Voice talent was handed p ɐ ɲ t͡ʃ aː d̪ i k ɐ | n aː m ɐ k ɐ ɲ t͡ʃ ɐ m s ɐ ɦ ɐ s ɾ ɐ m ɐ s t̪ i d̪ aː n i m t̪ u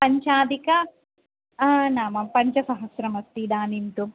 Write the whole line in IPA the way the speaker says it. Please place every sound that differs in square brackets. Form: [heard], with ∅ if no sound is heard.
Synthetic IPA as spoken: p ɐ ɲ t͡ʃ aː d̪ i k ɐ | n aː m ɐ [p] ɐ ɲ t͡ʃ ɐ [∅] s ɐ ɦ ɐ s ɾ ɐ m ɐ s t̪ i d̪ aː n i [n] t̪ u

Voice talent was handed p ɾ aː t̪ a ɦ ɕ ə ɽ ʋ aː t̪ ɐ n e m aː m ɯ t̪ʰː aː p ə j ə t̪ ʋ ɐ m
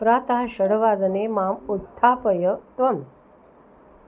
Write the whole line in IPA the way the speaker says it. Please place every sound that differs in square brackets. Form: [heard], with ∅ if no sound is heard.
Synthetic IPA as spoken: p ɾ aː t̪ a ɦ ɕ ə ɽ ʋ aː [d̪] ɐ n e m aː m [u] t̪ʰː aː p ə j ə t̪ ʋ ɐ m

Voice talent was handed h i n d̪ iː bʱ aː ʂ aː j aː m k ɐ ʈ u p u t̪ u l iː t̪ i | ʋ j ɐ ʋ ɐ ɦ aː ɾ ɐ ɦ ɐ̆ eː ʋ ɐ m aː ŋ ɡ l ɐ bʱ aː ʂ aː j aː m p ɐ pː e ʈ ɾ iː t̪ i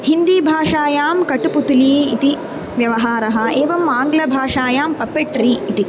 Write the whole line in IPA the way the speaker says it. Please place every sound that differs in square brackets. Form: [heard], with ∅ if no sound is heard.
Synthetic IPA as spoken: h i n d̪ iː bʱ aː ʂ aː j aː m k ɐ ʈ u p u t̪ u l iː t̪ i | ʋ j ɐ ʋ ɐ ɦ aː ɾ ɐ ɦ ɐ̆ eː ʋ ɐ m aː ŋ ɡ l ɐ bʱ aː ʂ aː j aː m p ɐ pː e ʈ ɾ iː t̪ i

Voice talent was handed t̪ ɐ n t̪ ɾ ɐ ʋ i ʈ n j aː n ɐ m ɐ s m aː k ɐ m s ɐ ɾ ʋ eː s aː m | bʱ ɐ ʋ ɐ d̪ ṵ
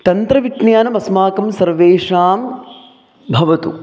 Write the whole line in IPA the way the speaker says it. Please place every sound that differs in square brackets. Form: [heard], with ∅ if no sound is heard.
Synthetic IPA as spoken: t̪ ɐ n t̪ ɾ ɐ ʋ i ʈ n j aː n ɐ m ɐ s m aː k ɐ m s ɐ ɾ ʋ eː [ʂ] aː m | bʱ ɐ ʋ ɐ [t̪] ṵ

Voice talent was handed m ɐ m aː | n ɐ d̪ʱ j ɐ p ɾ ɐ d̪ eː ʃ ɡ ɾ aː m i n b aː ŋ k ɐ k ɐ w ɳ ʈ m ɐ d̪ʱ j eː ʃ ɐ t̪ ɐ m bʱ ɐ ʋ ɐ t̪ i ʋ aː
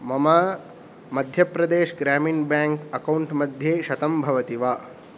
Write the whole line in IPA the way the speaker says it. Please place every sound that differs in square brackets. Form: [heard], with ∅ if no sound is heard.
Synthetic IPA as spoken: m ɐ m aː | [m] ɐ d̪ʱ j ɐ p ɾ ɐ d̪ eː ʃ ɡ ɾ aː m i n b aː ŋ k ɐ k ɐ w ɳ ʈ m ɐ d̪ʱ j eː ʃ ɐ t̪ ɐ m bʱ ɐ ʋ ɐ t̪ i ʋ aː

